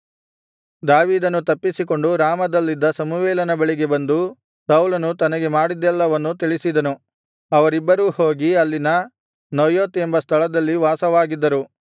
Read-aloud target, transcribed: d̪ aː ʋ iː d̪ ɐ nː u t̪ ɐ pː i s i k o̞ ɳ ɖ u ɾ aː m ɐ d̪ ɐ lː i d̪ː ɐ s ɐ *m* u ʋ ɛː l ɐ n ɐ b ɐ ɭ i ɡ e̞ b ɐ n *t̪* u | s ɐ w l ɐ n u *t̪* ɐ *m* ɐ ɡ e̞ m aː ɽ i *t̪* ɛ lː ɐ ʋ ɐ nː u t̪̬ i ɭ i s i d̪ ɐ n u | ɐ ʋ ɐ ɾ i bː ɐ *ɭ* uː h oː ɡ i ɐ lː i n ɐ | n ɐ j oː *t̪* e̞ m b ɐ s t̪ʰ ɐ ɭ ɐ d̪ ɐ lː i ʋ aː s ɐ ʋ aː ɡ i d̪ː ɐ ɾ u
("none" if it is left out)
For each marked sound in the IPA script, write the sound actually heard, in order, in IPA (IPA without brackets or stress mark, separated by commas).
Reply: m, d̪, t̪, n, d̪, ɾ, t̪